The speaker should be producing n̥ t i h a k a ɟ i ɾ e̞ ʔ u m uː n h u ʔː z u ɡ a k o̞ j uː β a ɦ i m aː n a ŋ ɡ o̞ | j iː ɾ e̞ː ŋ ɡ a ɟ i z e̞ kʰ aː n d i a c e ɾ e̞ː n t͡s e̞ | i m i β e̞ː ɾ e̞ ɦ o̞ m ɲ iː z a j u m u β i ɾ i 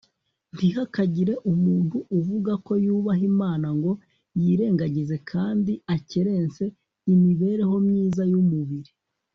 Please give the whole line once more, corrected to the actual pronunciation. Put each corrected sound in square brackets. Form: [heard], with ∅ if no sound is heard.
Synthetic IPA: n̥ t i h a k a ɟ i ɾ e̞ ʔ u m uː n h u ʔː [v] u ɡ a k o̞ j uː β a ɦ i m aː n a ŋ ɡ o̞ | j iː ɾ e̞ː ŋ ɡ a ɟ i z e̞ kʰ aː n d i a c e ɾ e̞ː n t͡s e̞ | i m i β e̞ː ɾ e̞ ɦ o̞ m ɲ iː z a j u m u β i ɾ i

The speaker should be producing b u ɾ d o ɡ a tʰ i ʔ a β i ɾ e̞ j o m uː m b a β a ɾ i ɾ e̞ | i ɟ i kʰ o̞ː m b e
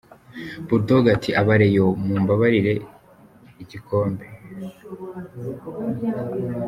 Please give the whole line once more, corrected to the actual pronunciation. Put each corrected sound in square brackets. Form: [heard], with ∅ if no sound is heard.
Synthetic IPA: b u ɾ d o ɡ a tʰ i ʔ a β [a] ɾ e̞ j o m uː m b a β a ɾ i ɾ e̞ | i ɟ i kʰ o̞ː m b e

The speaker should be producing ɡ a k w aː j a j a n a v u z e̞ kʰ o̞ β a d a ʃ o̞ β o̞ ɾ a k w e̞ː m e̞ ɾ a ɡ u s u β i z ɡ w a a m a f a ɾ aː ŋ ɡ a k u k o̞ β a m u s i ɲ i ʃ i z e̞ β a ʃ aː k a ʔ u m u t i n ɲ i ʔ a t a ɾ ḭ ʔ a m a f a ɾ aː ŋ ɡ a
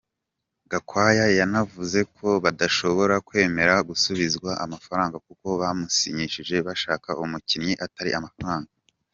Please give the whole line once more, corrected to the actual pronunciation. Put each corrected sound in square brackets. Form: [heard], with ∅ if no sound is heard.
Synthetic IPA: ɡ a k w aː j a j a n a v u z e̞ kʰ o̞ β a d a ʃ o̞ β o̞ ɾ a k w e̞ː m e̞ ɾ a ɡ u s u β i z ɡ w a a m a f a ɾ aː ŋ ɡ a k u k o̞ β a m u s i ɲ i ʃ i [ʒ] e̞ β a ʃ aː k a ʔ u m u [c] i n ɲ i ʔ a t a ɾ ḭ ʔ a m a f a ɾ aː ŋ ɡ a

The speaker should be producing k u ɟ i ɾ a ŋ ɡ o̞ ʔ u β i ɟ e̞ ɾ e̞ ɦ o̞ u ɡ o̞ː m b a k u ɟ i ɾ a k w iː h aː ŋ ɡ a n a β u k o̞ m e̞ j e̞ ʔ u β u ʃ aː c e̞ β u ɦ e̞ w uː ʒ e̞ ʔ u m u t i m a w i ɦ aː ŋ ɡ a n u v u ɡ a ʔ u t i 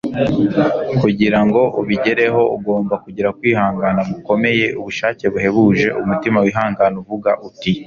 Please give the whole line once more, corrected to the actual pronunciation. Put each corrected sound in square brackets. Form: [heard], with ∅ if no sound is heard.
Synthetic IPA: k u ɟ i ɾ a ŋ ɡ o̞ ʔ u β i ɟ e̞ ɾ e̞ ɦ o̞ u ɡ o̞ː m b a k u ɟ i ɾ a k w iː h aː ŋ ɡ a n a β u k o̞ m e̞ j e̞ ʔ u β u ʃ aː c e̞ β u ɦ e̞ [β] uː ʒ e̞ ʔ u m u t i m a w i ɦ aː ŋ ɡ a n u v u ɡ a ʔ u t i

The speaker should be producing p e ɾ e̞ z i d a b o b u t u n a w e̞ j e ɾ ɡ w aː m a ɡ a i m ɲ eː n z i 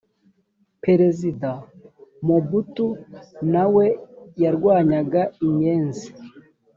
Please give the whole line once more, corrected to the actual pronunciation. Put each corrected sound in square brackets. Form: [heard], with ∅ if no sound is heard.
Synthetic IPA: p e ɾ e̞ z i d a [m] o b u t u n a w e̞ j [a] ɾ ɡ w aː [ɲ] a ɡ a i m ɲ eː n z i

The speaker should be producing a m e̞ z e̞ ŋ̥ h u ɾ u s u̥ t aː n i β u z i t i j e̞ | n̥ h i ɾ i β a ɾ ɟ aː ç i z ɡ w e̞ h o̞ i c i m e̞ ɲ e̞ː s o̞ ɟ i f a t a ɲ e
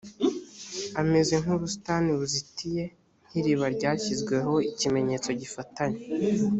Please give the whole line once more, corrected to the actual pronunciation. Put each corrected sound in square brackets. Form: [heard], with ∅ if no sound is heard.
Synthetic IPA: a m e̞ z e̞ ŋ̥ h u ɾ u s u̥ t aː n i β u z i t i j e̞ | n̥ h i ɾ i β a ɾ ɟ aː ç i z ɡ w e̞ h o̞ i c i m e̞ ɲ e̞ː [t͡s] o̞ ɟ i f a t a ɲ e

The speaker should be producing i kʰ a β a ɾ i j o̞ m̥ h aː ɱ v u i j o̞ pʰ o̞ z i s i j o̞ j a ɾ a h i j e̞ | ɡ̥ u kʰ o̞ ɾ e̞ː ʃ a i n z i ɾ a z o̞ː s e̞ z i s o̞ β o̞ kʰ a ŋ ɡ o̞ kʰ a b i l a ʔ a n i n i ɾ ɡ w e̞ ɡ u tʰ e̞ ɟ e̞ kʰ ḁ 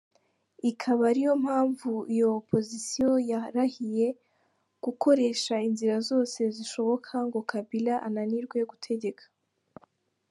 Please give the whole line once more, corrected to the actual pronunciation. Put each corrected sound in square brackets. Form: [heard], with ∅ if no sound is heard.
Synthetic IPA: i kʰ a β a ɾ i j o̞ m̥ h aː ɱ v u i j o̞ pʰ o̞ z i s i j o̞ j a ɾ a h i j e̞ | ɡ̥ u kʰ o̞ ɾ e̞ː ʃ a i n z i ɾ a z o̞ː s e̞ z i [ʃ] o̞ β o̞ kʰ a ŋ ɡ o̞ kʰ a b i l a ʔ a n [a] n i ɾ ɡ w e̞ ɡ u tʰ e̞ ɟ e̞ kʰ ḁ

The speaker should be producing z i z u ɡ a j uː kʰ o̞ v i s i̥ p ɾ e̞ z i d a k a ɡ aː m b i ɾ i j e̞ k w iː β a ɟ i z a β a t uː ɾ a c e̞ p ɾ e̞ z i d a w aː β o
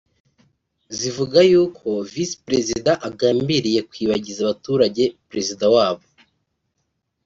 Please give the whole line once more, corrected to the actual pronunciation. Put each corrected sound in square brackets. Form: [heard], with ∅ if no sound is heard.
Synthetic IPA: z i [v] u ɡ a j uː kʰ o̞ v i s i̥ p ɾ e̞ z i d a [ʔ] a ɡ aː m b i ɾ i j e̞ k w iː β a ɟ i z a β a t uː ɾ a [ɟ] e̞ p ɾ e̞ z i d a w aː β o

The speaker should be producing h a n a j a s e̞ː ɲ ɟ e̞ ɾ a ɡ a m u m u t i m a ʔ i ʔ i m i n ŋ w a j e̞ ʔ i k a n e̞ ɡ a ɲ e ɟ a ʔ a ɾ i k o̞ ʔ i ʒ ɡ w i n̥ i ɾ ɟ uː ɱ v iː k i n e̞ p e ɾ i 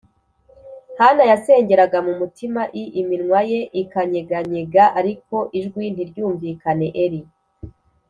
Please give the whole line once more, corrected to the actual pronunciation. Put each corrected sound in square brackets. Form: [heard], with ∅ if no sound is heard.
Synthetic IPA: h a n a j a s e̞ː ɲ ɟ e̞ ɾ a ɡ a m u m u t i m a ʔ i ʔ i m i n ŋ w a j e̞ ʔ i k a [ɲ] e̞ ɡ a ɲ e [ɡ] a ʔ a ɾ i k o̞ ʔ i ʒ ɡ w i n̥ i ɾ ɟ uː ɱ v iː k [a] n e̞ [ʔ] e ɾ i

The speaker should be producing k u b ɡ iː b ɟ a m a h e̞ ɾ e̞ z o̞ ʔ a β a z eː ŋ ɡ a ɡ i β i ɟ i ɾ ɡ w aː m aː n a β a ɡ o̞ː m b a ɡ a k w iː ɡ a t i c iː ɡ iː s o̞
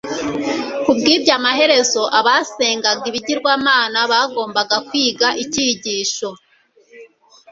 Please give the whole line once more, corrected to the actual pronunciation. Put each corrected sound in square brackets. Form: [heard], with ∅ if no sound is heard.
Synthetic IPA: k u b ɡ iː b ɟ a m a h e̞ ɾ e̞ z o̞ ʔ a β a [s] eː ŋ ɡ a ɡ i β i ɟ i ɾ ɡ w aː m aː n a β a ɡ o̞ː m b a ɡ a k w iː ɡ a [ʔ] i c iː [ɟ] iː [ʃ] o̞

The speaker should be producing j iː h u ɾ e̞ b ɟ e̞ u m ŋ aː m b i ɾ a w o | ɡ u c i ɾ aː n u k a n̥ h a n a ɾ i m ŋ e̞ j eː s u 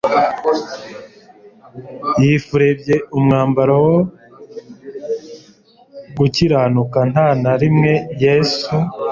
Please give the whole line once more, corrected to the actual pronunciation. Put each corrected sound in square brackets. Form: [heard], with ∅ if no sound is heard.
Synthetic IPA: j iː [f] u ɾ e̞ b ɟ e̞ u m ŋ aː m b [a] ɾ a w o | ɡ u c i ɾ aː n u k a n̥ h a n a ɾ i m ŋ e̞ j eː s u

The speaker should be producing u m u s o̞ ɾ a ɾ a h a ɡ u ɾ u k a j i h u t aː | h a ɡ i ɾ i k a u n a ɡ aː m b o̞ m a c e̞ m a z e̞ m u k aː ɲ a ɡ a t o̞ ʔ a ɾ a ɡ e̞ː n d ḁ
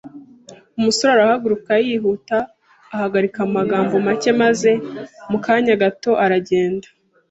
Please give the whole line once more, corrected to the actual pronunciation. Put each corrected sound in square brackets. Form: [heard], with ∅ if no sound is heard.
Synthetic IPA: u m u s o̞ ɾ a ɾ a h a ɡ u ɾ u k a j i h u t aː | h a ɡ [a] ɾ i k a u [m] a ɡ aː m b o̞ m a c e̞ m a z e̞ m u k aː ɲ a ɡ a t o̞ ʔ a ɾ a [ɟ] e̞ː n d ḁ

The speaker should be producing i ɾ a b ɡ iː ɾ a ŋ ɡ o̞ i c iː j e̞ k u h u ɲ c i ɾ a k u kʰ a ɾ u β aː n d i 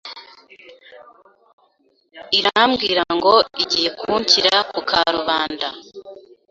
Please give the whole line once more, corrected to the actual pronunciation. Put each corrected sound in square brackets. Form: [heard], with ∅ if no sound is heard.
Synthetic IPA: i ɾ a [m] ɡ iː ɾ a ŋ ɡ o̞ i [ɟ] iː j e̞ k u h u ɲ c i ɾ a k u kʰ a ɾ u β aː n d [a]

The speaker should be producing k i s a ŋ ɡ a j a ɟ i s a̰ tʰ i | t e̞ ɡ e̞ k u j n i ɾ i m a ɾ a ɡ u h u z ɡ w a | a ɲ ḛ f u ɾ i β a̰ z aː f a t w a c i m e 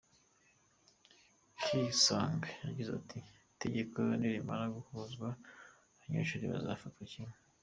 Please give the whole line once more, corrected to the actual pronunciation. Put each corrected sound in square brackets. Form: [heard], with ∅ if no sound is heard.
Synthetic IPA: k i s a ŋ ɡ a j a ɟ i [z] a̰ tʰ i | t e̞ [ɟ] e̞ k [o] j n i ɾ i m a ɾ a ɡ u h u z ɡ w a | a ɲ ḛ [ʃ] u ɾ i β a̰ z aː f a t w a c i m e

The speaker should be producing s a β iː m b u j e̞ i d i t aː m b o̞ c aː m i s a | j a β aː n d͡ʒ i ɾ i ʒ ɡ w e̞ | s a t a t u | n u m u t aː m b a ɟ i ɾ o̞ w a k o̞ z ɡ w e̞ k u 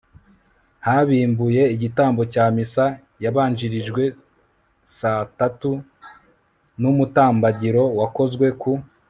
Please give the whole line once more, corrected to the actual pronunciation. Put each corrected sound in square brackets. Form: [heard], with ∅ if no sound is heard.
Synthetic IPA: [h] a β iː m b u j e̞ i [ɟ] i t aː m b o̞ c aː m i s a | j a β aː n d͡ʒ i ɾ i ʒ ɡ w e̞ | s a t a t u | n u m u t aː m b a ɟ i ɾ o̞ w a k o̞ z ɡ w e̞ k u

